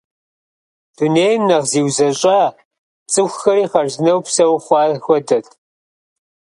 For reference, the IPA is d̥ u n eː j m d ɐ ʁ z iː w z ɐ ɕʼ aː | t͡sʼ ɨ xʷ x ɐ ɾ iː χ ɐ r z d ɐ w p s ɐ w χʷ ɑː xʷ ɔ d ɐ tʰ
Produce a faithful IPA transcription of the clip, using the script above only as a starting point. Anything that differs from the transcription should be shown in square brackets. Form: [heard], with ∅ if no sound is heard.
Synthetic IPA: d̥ u n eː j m [n] ɐ ʁ z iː w z ɐ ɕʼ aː | t͡sʼ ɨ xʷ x ɐ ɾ iː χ ɐ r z [n] ɐ w p s ɐ w χʷ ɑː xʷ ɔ d ɐ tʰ